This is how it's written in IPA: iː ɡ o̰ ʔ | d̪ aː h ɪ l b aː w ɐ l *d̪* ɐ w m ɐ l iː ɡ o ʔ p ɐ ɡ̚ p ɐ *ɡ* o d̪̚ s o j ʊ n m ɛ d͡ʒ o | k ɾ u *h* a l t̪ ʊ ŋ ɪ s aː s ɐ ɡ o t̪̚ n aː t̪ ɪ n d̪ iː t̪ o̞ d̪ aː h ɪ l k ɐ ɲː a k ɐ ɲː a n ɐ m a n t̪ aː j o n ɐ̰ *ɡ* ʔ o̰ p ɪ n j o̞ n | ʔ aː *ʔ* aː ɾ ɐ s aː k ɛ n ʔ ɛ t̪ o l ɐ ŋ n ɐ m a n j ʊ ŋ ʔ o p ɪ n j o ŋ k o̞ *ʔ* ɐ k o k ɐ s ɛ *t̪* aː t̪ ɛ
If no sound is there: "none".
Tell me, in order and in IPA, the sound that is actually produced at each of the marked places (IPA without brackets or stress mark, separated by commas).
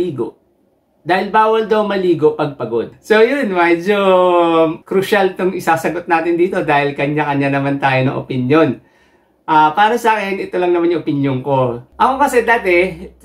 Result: d̪, ɡ, ʃ, ŋ, p, ʔ, d̪